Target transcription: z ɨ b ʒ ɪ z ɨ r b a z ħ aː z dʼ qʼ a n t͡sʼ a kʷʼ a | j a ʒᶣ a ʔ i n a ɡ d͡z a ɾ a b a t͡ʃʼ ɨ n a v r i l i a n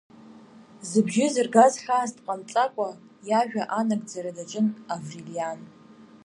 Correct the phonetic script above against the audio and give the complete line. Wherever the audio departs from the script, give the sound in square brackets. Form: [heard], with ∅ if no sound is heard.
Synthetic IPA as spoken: z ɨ b ʒ ɪ z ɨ r [ɡ] a z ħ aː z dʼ qʼ a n t͡sʼ a kʷʼ a | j a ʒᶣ a ʔ [a] n a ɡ d͡z a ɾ a [d] a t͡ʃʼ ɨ n a v r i l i a n